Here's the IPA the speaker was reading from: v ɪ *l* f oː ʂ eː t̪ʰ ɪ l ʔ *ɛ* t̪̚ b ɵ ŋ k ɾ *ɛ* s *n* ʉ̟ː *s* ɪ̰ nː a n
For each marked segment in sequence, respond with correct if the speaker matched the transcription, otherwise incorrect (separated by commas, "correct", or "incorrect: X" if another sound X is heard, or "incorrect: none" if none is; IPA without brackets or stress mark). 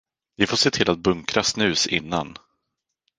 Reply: incorrect: none, incorrect: a, incorrect: a, correct, correct